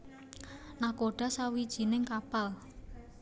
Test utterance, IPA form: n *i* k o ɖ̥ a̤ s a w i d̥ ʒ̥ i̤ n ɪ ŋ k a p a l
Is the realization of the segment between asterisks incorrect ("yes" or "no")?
yes